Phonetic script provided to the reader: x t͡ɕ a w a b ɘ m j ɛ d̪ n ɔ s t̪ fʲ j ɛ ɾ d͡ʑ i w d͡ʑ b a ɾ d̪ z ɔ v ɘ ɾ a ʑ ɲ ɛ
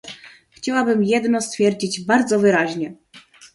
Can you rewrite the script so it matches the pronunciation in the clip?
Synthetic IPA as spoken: x t͡ɕ a w a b ɘ m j ɛ d̪ n ɔ s t̪ fʲ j ɛ ɾ d͡ʑ i d͡ʑ b a ɾ d̪ z ɔ v ɘ ɾ a ʑ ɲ ɛ